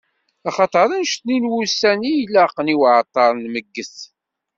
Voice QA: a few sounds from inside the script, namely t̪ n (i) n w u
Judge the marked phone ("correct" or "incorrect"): correct